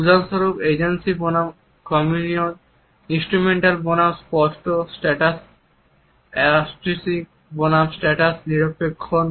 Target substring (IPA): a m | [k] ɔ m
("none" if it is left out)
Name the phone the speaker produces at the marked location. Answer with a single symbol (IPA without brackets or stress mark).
k